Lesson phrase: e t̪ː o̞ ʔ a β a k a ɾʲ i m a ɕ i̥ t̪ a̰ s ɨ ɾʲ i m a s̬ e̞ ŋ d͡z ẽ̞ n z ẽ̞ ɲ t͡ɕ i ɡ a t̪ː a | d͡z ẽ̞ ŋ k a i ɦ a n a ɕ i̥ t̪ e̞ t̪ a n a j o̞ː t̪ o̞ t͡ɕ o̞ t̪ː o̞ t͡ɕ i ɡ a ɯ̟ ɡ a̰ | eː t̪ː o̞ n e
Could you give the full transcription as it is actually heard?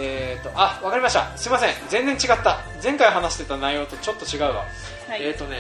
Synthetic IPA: e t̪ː o̞ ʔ a β a k a ɾʲ i m a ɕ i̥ t̪ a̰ s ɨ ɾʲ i m a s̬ ẽ̞ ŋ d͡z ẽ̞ n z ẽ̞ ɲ t͡ɕ i ɡ a t̪ː a | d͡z ẽ̞ ŋ k a i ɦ a n a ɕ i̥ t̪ e̞ t̪ a n a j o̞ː t̪ o̞ t͡ɕ o̞ t̪ː o̞ t͡ɕ i ɡ a ɯ̟ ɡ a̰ | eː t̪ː o̞ n e